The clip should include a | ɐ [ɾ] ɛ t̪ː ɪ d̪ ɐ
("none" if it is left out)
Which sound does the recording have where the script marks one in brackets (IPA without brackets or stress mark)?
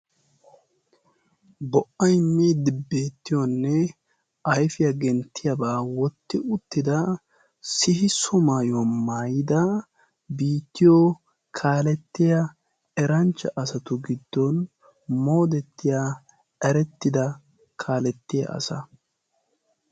ɾ